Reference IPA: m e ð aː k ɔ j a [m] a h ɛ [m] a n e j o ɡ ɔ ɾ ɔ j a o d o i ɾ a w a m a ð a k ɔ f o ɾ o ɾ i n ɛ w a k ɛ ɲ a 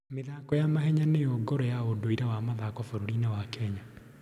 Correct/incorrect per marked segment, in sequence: correct, incorrect: ɲ

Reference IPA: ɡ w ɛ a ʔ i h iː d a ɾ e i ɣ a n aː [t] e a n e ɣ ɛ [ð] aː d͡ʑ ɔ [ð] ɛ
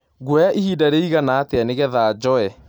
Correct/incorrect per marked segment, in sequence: correct, correct, incorrect: none

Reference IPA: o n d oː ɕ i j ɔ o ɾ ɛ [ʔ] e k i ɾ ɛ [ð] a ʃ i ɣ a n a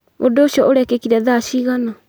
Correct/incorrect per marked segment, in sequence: incorrect: k, correct

